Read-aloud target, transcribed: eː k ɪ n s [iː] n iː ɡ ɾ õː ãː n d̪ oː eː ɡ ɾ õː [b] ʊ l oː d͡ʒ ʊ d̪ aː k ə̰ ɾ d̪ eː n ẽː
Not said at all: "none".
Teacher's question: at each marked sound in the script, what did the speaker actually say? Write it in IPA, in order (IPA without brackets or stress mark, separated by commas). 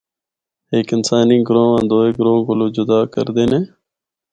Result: aː, ɡ